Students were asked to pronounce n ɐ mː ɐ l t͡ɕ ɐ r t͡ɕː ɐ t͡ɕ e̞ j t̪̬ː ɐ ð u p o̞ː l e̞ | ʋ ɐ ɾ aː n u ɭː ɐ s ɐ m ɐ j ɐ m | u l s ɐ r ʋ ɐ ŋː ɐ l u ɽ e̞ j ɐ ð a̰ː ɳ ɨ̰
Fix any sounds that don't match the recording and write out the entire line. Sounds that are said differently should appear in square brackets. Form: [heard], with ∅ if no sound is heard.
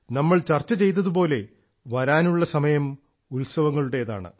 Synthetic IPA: n ɐ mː ɐ [ɭ] t͡ɕ ɐ r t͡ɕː ɐ t͡ɕ e̞ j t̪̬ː ɐ ð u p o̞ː l e̞ | ʋ ɐ ɾ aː n u ɭː ɐ s ɐ m ɐ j ɐ m | u l s ɐ [∅] ʋ ɐ ŋː ɐ [ɭ] u ɽ e̞ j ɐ ð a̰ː ɳ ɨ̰